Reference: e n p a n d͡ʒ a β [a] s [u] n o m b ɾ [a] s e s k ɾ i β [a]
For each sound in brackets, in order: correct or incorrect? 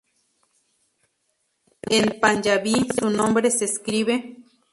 incorrect, correct, incorrect, incorrect

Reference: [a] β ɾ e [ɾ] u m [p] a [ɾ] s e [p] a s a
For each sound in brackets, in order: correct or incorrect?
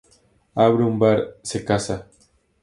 correct, incorrect, incorrect, correct, incorrect

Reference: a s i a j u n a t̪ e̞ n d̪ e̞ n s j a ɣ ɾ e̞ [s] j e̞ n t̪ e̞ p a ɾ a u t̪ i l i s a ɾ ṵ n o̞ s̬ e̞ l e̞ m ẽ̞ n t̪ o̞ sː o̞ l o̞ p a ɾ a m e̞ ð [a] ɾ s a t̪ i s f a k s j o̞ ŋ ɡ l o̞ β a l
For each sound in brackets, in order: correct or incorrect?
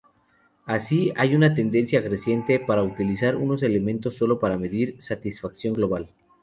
correct, incorrect

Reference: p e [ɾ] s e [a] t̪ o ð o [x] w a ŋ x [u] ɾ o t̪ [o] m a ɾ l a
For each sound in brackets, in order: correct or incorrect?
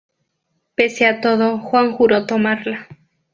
incorrect, correct, correct, correct, correct

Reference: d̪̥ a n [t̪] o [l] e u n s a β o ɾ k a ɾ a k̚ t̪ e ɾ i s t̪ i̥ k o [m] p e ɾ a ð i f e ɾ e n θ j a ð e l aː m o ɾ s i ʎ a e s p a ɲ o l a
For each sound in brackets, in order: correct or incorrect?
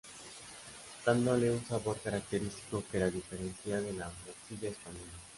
incorrect, correct, incorrect

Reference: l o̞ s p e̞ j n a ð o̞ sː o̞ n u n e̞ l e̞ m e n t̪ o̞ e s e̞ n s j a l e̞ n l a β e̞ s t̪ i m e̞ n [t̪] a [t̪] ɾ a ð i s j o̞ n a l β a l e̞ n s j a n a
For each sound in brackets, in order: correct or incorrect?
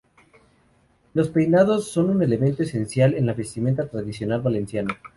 correct, correct

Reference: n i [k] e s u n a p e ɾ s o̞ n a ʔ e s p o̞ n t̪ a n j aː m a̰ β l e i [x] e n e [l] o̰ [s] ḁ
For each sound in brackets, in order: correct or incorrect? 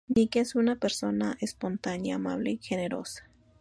correct, correct, incorrect, correct

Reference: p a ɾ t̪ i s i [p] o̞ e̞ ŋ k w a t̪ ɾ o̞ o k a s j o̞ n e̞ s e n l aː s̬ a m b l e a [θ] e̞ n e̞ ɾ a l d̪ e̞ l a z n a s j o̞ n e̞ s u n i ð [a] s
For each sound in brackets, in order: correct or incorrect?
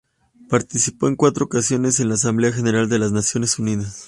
correct, incorrect, correct

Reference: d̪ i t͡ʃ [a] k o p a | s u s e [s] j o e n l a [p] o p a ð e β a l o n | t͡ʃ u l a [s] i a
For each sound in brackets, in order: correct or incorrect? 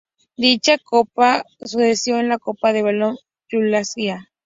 correct, correct, incorrect, correct

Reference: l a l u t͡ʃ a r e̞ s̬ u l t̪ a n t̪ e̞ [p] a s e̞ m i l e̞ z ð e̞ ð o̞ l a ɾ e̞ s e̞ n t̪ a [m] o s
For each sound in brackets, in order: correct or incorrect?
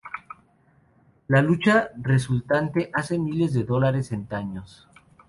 incorrect, incorrect

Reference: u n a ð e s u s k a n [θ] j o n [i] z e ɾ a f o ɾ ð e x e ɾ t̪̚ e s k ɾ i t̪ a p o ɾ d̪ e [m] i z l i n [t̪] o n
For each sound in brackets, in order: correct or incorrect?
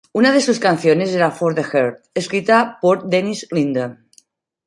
correct, incorrect, incorrect, incorrect

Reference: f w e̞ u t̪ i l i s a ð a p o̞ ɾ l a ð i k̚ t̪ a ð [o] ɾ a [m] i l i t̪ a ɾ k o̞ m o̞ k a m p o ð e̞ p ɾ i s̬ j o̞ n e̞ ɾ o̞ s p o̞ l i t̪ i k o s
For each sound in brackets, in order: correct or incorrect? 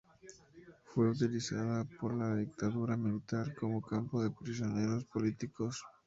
incorrect, correct

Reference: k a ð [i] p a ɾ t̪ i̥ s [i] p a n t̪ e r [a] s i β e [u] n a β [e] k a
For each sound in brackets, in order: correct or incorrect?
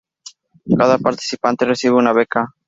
incorrect, correct, incorrect, correct, correct

